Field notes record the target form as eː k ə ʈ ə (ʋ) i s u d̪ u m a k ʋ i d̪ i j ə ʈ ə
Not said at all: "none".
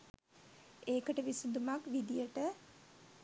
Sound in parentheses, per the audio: ʋ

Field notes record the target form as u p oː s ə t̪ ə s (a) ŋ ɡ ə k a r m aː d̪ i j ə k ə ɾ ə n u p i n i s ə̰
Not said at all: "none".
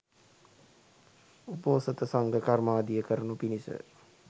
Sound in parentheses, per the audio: a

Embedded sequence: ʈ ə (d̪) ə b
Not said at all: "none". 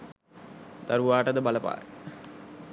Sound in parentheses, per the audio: d̪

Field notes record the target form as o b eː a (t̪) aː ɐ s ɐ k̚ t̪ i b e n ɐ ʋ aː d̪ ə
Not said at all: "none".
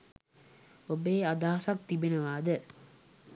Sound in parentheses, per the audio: d̪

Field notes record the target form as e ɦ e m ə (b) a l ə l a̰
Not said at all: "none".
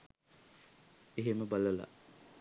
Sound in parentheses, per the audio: b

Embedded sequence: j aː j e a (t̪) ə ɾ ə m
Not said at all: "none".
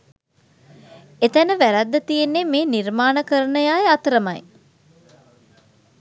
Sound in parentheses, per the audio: t̪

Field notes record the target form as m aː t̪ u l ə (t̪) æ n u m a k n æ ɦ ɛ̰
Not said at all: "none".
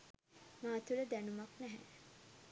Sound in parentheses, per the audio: d̪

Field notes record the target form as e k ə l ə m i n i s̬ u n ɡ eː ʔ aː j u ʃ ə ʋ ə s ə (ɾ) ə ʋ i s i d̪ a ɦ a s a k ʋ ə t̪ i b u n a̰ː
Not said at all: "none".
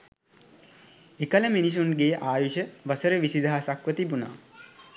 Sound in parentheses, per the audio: ɾ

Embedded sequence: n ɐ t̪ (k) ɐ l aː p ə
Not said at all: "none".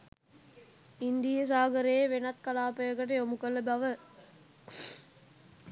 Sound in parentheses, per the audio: k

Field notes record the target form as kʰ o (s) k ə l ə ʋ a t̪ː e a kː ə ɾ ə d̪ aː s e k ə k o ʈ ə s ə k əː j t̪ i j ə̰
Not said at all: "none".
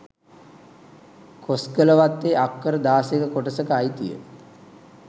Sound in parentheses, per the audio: s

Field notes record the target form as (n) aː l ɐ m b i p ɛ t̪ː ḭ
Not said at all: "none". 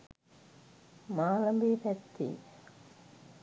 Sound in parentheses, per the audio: m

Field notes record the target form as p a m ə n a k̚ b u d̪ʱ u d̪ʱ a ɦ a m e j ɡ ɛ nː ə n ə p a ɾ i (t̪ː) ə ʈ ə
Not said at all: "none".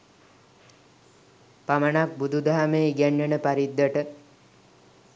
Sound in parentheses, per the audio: d̪ː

